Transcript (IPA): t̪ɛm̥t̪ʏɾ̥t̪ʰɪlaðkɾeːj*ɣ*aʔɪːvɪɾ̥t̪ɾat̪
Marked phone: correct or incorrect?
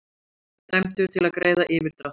incorrect